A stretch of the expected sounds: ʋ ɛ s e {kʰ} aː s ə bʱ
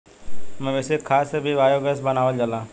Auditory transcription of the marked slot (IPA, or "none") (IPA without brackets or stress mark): kʰ